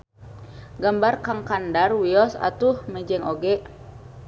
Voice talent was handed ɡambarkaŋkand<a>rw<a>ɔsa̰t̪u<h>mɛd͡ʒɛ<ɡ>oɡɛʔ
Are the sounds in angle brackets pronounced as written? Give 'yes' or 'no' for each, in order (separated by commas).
yes, no, yes, no